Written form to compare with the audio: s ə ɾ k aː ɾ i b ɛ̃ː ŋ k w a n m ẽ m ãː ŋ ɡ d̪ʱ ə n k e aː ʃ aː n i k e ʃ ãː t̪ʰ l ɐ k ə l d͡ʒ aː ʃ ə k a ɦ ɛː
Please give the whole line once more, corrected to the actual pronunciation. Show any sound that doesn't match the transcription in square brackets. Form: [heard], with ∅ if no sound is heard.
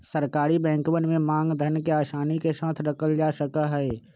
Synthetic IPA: s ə ɾ k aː ɾ i b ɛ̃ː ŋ k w [ə] n m ẽ m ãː ŋ ɡ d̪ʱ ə n k e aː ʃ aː n i k e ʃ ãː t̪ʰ [ɾ] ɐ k ə l d͡ʒ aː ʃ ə k a ɦ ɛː

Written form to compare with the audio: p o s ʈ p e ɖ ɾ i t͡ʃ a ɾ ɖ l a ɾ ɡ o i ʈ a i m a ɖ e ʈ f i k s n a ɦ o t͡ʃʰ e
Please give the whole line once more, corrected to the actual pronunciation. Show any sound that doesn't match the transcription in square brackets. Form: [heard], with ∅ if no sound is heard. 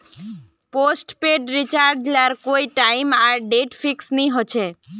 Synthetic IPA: p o s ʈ p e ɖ ɾ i t͡ʃ a ɾ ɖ l a ɾ [k] o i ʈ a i m a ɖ e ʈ f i k s n [i] ɦ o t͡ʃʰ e

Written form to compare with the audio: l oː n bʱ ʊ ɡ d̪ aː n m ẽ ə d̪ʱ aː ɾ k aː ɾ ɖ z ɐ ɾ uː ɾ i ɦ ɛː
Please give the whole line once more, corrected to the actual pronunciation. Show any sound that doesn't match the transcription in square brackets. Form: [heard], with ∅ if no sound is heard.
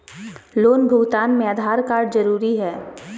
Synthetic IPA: l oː n bʱ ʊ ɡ [t̪] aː n m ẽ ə d̪ʱ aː ɾ k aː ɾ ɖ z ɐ ɾ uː ɾ i ɦ ɛː

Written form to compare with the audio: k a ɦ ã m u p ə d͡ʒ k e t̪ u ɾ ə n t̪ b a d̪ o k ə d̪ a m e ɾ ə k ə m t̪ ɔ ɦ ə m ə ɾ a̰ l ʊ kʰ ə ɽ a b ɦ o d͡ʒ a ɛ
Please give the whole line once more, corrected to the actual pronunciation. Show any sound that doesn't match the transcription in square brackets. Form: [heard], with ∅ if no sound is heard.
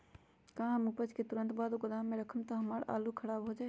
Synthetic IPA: k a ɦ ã m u p ə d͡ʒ k e t̪ u ɾ ə n t̪ b a d̪ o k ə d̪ a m e ɾ ə [kʰ] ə m t̪ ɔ ɦ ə m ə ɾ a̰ l [u] kʰ ə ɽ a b ɦ o d͡ʒ a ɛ

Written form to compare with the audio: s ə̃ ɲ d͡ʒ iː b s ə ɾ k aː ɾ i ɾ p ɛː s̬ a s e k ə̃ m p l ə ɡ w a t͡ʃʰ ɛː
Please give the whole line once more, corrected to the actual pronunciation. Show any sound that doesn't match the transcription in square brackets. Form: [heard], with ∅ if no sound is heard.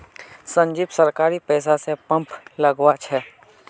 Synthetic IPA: s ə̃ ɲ d͡ʒ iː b s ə ɾ k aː ɾ i [∅] p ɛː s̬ a s e [p] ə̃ m p l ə ɡ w a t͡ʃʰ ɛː

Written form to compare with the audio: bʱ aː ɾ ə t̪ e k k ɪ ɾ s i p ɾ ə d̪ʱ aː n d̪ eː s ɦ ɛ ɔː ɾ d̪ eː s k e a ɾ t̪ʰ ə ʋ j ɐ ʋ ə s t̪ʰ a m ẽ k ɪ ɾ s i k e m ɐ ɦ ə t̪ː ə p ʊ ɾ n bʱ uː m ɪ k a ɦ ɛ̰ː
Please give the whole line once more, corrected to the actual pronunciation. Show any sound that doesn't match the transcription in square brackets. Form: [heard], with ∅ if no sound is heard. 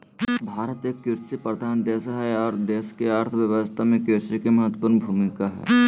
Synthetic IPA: bʱ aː ɾ ə t̪ e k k ɪ ɾ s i p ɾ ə d̪ʱ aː n d̪ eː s ɦ ɛ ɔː ɾ d̪ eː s k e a ɾ t̪ʰ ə ʋ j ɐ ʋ ə s t̪ʰ a m ẽ k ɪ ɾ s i k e m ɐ ɦ ə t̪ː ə p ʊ ɾ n bʱ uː m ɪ k a ɦ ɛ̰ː

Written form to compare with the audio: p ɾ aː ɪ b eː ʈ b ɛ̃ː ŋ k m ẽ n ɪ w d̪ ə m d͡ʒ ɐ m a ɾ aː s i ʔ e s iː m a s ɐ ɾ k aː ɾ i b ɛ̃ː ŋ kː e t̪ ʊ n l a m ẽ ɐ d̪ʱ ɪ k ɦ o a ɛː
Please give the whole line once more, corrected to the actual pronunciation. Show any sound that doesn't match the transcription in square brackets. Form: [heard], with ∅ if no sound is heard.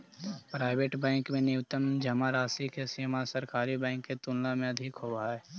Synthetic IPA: p ɾ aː ɪ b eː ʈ b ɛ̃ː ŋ k m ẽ n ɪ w [t̪] ə m d͡ʒ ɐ m a ɾ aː s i [k] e s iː m a s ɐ ɾ k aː ɾ i b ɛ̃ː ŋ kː e t̪ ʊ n l a m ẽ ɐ d̪ʱ ɪ k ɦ o a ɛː

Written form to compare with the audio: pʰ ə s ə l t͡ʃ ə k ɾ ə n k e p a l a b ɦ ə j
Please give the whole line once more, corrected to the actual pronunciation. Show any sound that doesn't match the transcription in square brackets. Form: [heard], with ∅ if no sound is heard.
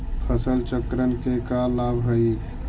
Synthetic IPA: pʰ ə s ə l t͡ʃ ə k ɾ ə n k e [k] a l a b ɦ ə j

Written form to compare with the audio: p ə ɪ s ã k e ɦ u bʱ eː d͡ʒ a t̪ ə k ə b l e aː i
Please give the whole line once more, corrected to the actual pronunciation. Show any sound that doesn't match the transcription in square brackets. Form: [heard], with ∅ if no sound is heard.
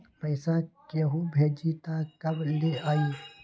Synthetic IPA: p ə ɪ s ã k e ɦ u bʱ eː d͡ʒ [i] t̪ [a] k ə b l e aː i

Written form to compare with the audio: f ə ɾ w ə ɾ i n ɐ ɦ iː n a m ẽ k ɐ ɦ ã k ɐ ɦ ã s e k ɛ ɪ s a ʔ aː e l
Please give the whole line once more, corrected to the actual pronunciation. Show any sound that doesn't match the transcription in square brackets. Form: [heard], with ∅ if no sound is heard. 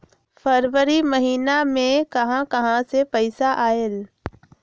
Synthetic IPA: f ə ɾ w ə ɾ i [m] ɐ ɦ iː n a m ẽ k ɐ ɦ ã k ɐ ɦ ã s e [p] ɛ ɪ s a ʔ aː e l

